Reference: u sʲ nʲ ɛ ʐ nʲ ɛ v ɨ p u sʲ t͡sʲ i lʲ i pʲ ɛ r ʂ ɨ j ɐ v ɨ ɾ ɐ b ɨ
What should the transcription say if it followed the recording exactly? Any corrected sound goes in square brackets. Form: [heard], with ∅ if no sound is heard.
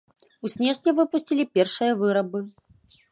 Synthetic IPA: u sʲ nʲ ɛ ʐ nʲ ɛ v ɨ p u sʲ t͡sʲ i lʲ i pʲ ɛ r ʂ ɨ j ɐ v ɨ ɾ ɐ b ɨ

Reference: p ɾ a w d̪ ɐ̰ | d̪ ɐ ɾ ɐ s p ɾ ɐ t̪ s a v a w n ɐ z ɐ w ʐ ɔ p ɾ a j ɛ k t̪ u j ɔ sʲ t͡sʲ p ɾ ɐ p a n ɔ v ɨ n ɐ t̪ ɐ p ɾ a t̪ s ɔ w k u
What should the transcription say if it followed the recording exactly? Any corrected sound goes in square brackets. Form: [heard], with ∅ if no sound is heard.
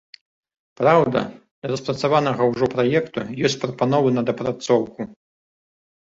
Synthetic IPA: p ɾ a w d̪ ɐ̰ | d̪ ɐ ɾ ɐ s p ɾ ɐ t̪ s a v a [∅] n ɐ [ɣ] ɐ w ʐ ɔ p ɾ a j ɛ k t̪ u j ɔ sʲ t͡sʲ p ɾ ɐ p a n ɔ v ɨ n ɐ [d̪] ɐ p ɾ a t̪ s ɔ w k u

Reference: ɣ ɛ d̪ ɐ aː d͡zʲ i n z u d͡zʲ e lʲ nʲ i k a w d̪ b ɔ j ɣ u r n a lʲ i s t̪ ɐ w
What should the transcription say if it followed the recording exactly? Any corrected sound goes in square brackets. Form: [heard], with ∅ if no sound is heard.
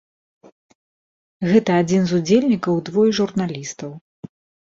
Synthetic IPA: ɣ ɛ [t̪] ɐ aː d͡zʲ i n z u d͡zʲ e lʲ nʲ i k [ɐ] w d̪ [v] ɔ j [ʐ] u r n a lʲ i s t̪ ɐ w

